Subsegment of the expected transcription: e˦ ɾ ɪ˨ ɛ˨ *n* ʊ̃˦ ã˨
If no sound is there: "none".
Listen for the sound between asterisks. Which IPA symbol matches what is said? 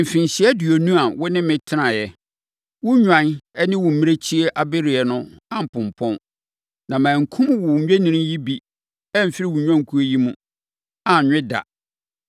n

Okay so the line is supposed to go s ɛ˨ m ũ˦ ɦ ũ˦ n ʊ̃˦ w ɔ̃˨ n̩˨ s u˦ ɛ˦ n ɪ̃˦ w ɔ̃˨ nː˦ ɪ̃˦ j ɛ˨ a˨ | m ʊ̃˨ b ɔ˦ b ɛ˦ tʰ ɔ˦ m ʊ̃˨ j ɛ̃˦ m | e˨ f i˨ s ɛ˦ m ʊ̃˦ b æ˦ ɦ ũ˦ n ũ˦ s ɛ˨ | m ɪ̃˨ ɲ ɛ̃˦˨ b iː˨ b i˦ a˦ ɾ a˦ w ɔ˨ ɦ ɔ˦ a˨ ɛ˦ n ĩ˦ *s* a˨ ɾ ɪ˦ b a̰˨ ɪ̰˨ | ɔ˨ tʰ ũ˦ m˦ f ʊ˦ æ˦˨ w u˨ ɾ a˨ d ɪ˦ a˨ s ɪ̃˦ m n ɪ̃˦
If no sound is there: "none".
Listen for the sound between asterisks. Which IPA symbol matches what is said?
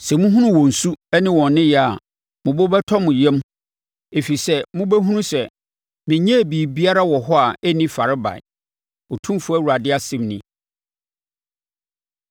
f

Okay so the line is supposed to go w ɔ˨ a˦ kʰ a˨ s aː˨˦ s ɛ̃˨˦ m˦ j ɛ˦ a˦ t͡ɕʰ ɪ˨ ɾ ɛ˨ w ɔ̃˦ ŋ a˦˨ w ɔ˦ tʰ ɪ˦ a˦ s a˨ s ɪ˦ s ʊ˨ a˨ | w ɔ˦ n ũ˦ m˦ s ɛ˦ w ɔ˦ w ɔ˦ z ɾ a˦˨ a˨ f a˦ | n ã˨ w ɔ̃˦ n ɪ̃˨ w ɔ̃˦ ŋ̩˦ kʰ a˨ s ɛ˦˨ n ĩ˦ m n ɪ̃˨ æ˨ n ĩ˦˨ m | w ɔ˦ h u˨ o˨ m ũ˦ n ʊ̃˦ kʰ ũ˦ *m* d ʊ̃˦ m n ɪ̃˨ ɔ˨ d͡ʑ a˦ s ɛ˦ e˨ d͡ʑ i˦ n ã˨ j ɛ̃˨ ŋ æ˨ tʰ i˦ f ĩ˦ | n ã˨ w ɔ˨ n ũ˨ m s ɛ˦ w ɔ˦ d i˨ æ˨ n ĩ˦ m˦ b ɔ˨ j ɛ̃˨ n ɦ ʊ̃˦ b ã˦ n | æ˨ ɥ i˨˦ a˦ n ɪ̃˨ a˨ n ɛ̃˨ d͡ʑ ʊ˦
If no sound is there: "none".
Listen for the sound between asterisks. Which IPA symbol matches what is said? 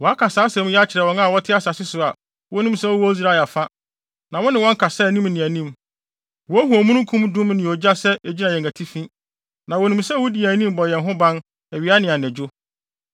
m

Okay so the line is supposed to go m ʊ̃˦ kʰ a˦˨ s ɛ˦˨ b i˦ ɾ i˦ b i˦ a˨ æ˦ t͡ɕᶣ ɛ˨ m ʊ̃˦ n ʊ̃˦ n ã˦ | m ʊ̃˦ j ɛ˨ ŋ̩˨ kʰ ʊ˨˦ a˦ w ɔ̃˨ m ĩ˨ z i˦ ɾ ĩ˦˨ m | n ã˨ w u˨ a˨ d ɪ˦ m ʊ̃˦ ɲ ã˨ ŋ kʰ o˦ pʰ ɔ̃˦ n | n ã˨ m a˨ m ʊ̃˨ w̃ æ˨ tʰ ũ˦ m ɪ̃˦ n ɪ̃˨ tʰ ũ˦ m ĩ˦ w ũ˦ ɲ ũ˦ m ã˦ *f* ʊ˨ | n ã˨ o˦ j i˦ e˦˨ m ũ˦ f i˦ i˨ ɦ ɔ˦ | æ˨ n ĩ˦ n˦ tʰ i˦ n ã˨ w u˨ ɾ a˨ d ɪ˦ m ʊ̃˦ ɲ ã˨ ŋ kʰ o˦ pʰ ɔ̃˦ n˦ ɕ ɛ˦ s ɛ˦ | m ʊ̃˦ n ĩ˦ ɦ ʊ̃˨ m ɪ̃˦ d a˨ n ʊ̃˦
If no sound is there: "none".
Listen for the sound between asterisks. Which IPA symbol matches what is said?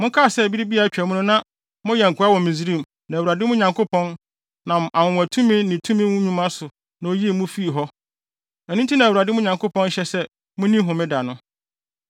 s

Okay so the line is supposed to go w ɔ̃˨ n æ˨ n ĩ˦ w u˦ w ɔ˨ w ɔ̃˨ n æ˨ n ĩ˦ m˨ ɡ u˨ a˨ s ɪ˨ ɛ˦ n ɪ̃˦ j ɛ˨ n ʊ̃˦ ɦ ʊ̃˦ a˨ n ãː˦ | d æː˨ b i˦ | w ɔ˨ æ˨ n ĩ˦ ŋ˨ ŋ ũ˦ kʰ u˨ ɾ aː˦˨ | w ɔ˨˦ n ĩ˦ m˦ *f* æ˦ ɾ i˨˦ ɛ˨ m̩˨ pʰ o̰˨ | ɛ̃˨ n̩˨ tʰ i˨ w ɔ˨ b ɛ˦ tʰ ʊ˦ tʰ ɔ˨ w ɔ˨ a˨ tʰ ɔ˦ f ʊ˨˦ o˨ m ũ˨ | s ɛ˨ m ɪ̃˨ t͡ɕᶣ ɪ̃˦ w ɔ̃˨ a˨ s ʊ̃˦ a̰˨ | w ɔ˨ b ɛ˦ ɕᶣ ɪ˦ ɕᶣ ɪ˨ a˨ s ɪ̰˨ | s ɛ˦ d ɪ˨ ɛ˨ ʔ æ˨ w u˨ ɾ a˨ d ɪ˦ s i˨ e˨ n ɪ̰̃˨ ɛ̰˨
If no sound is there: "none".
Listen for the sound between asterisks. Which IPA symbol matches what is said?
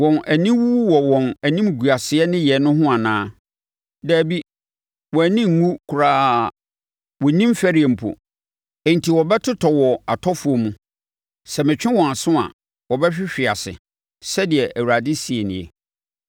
f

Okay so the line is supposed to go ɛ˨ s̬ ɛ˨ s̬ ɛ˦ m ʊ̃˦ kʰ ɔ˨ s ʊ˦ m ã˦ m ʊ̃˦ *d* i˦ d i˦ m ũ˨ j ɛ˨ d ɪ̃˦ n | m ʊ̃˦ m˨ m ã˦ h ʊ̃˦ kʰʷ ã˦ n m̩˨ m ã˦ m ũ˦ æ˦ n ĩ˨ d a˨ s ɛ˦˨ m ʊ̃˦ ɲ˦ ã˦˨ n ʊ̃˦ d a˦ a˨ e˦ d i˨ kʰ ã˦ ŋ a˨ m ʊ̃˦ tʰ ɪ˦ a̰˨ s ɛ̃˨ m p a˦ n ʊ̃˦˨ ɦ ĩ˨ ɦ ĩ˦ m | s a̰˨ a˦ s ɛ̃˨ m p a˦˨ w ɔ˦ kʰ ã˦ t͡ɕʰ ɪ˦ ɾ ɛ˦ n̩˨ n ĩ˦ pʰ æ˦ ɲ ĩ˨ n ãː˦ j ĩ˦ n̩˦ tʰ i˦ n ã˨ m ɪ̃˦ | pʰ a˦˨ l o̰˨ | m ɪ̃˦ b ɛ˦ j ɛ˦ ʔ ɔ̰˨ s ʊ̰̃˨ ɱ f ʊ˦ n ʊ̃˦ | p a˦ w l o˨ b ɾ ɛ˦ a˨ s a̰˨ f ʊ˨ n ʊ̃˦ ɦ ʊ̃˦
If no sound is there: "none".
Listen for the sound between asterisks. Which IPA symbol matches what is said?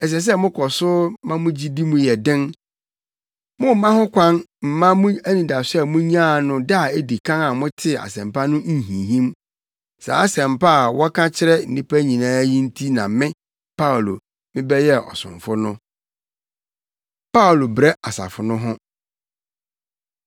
d͡ʑ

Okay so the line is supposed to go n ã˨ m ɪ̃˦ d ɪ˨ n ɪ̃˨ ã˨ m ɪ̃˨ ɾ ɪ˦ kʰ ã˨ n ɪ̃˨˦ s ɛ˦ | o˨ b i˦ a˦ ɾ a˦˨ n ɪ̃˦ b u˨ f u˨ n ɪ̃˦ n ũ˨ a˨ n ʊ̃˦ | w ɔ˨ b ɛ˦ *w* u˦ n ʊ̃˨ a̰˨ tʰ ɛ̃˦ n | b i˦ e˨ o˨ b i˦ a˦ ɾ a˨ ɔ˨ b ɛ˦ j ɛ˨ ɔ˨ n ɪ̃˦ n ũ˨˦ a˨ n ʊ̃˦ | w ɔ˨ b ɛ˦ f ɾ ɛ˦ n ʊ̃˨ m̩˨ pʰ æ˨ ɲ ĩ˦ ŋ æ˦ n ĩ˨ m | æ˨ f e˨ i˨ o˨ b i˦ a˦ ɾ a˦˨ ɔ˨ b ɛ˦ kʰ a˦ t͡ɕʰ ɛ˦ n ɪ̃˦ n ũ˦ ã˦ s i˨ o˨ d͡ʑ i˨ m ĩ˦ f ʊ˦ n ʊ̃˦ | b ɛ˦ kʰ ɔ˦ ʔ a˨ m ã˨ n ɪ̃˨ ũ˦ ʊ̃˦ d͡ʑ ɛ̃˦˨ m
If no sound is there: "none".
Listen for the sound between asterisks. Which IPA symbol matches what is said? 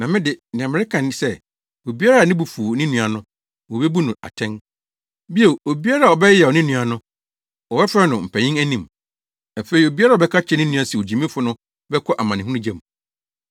b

